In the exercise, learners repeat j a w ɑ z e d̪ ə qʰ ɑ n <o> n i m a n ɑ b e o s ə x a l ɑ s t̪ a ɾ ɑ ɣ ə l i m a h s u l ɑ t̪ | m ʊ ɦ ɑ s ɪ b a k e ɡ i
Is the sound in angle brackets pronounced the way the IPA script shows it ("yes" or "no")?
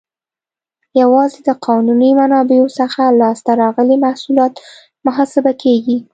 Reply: no